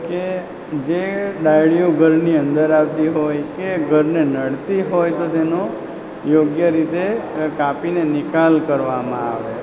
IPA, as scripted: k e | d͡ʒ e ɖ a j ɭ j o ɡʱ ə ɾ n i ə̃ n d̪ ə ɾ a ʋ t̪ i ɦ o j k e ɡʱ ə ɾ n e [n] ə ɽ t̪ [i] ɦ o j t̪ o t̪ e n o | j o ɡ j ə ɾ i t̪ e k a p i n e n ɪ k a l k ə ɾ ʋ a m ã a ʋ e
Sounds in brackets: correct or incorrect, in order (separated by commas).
correct, correct